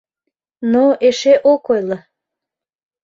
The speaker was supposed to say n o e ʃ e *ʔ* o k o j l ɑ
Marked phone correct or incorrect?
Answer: correct